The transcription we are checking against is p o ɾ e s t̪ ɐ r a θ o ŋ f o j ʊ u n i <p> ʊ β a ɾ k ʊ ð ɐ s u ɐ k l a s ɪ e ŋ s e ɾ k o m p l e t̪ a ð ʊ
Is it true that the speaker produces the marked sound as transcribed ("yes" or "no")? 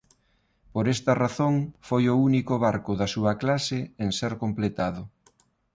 no